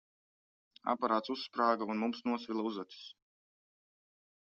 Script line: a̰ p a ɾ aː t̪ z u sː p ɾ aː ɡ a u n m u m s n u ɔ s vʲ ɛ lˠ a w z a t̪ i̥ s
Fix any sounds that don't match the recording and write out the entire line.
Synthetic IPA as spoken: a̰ p a ɾ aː t̪ s u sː p ɾ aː ɡ a u n m u m s n u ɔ s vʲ i lˠ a u z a t̪ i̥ s

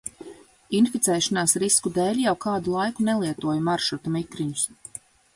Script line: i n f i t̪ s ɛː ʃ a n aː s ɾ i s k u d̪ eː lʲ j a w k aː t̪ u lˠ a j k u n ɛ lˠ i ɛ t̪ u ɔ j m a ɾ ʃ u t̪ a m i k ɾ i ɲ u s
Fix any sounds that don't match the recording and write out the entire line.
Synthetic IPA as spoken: i n f i t̪ s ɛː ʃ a n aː s ɾ i s k u d̪ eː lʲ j a w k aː d̪ u lˠ a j k u n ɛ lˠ i ɛ t̪ u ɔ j m a ɾ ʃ u t̪ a m i k ɾ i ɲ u s

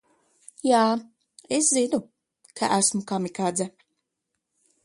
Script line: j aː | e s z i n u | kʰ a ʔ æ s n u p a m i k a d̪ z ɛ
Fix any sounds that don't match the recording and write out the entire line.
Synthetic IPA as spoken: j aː | e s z i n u | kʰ a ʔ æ s m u k a m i k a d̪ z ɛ

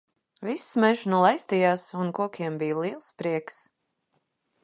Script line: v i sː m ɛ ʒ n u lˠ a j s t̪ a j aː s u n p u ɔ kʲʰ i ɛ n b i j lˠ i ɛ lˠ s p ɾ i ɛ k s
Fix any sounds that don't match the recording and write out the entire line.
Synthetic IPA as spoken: v i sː m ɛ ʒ n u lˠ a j s t̪ i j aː s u n k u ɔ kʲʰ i ɛ m b i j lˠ i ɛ lˠ s p ɾ i ɛ k s

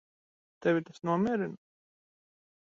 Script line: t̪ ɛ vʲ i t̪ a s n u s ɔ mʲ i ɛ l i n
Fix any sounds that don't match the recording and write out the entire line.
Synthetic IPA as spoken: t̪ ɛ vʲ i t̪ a s n u ɔ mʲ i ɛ ɾ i n

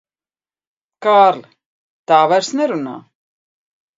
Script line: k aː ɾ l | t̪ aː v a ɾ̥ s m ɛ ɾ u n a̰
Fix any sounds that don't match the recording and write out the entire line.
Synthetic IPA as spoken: k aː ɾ l | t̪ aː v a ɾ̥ s n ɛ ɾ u n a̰

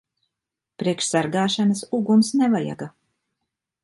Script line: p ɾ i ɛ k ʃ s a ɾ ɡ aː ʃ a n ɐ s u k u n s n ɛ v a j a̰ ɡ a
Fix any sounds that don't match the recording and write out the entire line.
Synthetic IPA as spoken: p ɾ i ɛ k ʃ s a ɾ ɡ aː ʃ a n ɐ s u ɡ u m s n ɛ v a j a̰ ɡ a

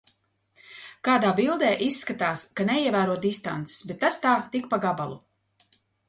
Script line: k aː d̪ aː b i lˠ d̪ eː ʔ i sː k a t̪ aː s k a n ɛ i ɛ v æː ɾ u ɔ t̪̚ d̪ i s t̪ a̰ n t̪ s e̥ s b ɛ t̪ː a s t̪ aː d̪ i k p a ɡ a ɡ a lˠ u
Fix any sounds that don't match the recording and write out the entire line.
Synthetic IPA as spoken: k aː d̪ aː b i lˠ d̪ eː ʔ i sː k a t̪ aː s k a n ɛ i ɛ v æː ɾ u ɔ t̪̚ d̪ i s t̪ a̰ n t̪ s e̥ s b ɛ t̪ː a s t̪ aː t̪ i k p a ɡ a b a lˠ u

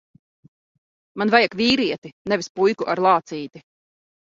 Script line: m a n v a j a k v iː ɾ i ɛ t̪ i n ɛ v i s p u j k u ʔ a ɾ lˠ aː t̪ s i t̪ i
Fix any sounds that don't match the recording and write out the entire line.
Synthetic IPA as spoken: m a n v a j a k v iː ɾ i ɛ t̪ i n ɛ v i s p u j k u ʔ a ɾ lˠ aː t̪ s iː t̪ i

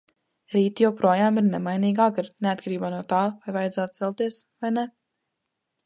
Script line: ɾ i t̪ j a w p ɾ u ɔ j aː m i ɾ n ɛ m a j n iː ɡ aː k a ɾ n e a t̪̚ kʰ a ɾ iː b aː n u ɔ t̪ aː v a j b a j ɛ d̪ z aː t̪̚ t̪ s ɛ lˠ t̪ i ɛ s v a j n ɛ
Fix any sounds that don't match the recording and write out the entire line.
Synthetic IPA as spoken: ɾ iː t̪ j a w p ɾ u ɔ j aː m i ɾ n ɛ m a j n iː ɡ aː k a ɾ n e a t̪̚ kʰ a ɾ iː b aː n u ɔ t̪ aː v a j v a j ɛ d̪ z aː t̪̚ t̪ s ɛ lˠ t̪ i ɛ s v a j n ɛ

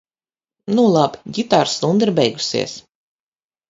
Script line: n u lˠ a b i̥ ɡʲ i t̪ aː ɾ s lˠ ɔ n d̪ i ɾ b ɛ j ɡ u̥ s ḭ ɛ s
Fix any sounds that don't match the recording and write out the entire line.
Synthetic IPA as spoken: n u lˠ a b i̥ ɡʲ i t̪ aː ɾ s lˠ u n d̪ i ɾ b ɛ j ɡ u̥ s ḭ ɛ s

